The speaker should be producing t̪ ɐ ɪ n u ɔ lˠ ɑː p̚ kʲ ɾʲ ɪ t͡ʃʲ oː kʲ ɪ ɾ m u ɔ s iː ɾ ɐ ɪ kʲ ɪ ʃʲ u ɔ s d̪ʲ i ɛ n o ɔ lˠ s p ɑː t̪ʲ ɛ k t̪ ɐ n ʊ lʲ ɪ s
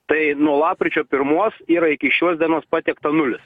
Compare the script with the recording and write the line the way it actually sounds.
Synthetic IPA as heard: t̪ ɐ ɪ n u ɔ lˠ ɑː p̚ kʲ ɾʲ ɪ t͡ʃʲ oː pʲ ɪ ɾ m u ɔ s iː ɾ ɐ ɪ kʲ ɪ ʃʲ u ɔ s d̪ʲ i ɛ n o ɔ s p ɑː t̪ʲ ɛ k t̪ ɐ n ʊ lʲ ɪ s